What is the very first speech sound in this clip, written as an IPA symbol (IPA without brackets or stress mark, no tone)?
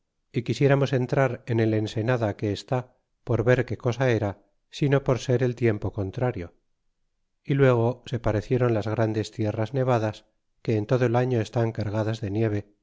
i